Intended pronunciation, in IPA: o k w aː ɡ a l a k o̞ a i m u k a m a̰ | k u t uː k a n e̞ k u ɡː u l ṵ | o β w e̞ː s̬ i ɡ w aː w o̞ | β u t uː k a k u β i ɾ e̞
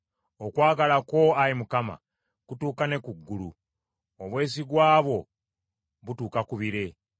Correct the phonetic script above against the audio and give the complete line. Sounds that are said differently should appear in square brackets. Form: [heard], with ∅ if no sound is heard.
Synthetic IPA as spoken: o k w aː ɡ a l a k o̞ a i m u k a m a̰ | k u t uː k a n e̞ k u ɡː u l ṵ | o β w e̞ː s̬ i ɡ w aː [β] o̞ | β u t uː k a k u β i ɾ e̞